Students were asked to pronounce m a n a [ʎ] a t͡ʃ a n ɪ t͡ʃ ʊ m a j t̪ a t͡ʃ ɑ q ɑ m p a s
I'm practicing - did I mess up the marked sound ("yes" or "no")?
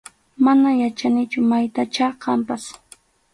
yes